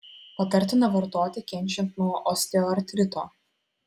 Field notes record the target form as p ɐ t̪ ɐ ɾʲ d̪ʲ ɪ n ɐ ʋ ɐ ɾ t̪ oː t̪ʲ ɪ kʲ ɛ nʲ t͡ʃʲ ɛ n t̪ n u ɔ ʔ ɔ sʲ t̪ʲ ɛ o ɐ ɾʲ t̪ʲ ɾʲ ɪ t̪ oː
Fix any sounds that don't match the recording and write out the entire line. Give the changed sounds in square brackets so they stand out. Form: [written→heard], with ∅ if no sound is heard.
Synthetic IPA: p ɐ t̪ ɐ ɾʲ [d̪ʲ→t̪ʲ] ɪ n ɐ ʋ ɐ ɾ t̪ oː t̪ʲ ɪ kʲ ɛ nʲ t͡ʃʲ ɛ n t̪ n u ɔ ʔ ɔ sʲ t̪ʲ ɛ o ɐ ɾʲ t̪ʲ ɾʲ ɪ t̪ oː